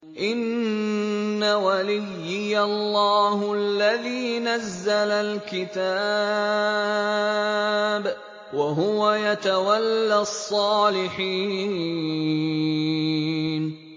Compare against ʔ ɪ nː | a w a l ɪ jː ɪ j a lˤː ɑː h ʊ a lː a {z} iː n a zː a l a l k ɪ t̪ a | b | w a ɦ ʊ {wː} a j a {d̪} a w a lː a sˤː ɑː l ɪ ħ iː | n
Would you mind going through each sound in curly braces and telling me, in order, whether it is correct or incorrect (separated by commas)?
incorrect, incorrect, incorrect